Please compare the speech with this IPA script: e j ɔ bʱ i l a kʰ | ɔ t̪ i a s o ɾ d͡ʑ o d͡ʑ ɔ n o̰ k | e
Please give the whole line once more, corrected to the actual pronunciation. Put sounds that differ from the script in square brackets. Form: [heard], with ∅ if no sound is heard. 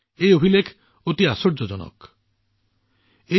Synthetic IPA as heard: e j [o] bʱ i l [e] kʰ | [o] t̪ i a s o ɾ d͡ʑ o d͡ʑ ɔ n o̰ k | e